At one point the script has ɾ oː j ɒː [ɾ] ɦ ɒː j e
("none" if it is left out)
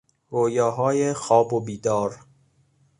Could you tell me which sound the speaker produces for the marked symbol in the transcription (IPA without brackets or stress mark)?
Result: none